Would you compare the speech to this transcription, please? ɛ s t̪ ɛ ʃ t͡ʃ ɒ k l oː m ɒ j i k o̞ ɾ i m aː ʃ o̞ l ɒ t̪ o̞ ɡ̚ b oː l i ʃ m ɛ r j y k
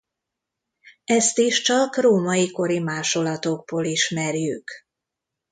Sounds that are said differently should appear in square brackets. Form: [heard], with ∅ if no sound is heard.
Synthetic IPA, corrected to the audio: ɛ s t̪ [i] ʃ t͡ʃ ɒ k [r] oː m ɒ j i k o̞ ɾ i m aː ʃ o̞ l ɒ t̪ o̞ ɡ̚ b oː l i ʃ m ɛ r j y k